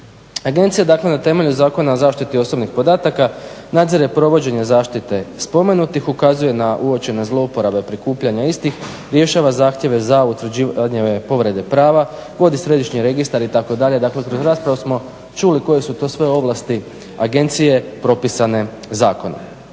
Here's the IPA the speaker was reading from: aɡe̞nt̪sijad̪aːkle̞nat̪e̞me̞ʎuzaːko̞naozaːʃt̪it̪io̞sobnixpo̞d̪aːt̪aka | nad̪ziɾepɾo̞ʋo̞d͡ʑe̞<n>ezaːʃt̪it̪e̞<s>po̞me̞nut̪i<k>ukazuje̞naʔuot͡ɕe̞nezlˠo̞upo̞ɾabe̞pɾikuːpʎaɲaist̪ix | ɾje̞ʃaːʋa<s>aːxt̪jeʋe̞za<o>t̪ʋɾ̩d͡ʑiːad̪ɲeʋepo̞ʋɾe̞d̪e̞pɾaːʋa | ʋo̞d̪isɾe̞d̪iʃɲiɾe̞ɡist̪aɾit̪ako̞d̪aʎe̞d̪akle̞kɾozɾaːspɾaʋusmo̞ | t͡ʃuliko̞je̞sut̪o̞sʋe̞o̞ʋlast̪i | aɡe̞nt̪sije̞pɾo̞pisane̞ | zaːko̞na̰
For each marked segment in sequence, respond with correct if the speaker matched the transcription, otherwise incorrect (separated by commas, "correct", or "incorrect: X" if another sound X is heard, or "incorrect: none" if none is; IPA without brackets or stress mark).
incorrect: ɲ, correct, incorrect: x, incorrect: z, incorrect: u